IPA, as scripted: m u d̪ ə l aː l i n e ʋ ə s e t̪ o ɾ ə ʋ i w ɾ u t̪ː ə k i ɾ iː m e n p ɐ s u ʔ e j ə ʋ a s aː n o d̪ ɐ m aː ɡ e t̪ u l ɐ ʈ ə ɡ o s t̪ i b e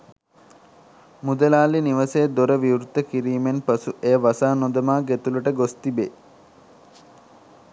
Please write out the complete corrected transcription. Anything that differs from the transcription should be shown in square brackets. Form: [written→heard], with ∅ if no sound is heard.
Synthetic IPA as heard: m u d̪ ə l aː l i n [e→i] ʋ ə s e [t̪→d̪] o ɾ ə ʋ i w ɾ u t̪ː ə k i ɾ iː m e n p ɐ s u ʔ e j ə ʋ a s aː n o d̪ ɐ m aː ɡ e t̪ u l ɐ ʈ ə ɡ o s t̪ i b e